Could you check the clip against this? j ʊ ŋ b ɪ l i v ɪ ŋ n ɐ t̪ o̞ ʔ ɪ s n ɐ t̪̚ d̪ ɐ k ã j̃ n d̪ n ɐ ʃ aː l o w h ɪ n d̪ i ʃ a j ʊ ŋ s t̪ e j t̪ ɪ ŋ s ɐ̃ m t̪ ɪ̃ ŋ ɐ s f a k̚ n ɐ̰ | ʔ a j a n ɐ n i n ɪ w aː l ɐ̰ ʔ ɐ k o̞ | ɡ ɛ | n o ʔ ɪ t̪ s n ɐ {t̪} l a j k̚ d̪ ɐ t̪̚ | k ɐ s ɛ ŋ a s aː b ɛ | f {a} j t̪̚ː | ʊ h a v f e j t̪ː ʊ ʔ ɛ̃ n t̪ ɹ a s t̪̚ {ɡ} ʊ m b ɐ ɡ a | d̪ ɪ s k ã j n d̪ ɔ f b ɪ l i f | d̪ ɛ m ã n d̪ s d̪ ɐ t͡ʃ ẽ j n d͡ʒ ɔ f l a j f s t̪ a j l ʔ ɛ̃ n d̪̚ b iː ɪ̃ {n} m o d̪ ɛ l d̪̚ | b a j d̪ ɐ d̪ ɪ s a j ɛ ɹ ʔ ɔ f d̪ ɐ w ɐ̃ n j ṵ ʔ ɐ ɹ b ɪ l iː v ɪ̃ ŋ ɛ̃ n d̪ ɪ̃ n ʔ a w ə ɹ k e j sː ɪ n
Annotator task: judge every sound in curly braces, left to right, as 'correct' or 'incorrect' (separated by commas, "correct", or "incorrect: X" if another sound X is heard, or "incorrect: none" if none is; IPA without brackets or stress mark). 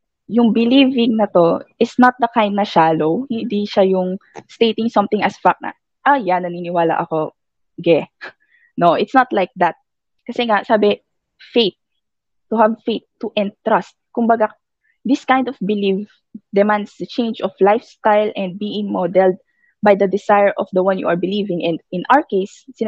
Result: correct, incorrect: e, incorrect: k, incorrect: ŋ